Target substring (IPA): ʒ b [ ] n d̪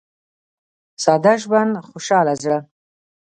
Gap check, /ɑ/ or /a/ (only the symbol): a